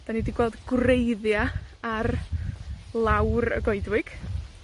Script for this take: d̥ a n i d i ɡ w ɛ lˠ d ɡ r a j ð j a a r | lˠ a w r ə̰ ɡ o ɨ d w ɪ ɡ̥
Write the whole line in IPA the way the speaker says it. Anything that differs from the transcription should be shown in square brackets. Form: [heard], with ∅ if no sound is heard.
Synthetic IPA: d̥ a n i d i ɡ w ɛ lˠ d ɡ r [e] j ð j a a r | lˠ a w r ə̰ ɡ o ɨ d w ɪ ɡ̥